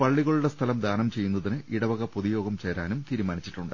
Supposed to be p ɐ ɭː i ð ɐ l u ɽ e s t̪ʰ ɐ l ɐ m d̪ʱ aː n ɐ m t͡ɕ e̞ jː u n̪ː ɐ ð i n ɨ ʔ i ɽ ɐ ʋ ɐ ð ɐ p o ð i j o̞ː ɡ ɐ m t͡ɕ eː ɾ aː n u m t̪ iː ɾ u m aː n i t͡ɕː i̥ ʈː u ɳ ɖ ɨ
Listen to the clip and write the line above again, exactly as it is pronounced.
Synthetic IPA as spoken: p ɐ ɭː i ɣ ɐ ɭ u ɽ e s t̪ʰ ɐ l ɐ m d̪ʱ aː n ɐ m t͡ɕ e̞ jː u n̪ː ɐ ð i n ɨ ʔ i ɽ ɐ ʋ ɐ ɣ ɐ p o ð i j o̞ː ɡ ɐ m t͡ɕ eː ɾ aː n u m t̪ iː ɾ u m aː n i t͡ɕː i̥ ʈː u ɳ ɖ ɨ